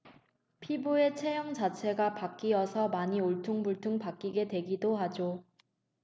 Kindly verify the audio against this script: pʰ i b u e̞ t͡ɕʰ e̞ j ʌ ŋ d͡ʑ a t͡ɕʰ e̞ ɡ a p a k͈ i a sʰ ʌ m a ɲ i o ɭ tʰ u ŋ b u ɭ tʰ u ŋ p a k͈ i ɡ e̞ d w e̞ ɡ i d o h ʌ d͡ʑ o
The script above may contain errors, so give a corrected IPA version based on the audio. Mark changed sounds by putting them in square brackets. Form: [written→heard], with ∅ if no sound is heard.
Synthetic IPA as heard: pʰ i b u e̞ t͡ɕʰ e̞ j ʌ ŋ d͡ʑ a t͡ɕʰ e̞ ɡ a p a k͈ i [a→ʌ] sʰ ʌ m a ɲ i o ɭ tʰ u ŋ b u ɭ tʰ u ŋ p a k͈ i ɡ e̞ d w e̞ ɡ i d o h [ʌ→a] d͡ʑ o